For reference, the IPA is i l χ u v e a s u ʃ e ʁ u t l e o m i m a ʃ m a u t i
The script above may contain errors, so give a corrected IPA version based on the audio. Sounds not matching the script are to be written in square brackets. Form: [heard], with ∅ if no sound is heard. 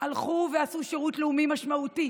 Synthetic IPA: [a] l χ u v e a s u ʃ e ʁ u t l e [u] m i m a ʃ m a u t i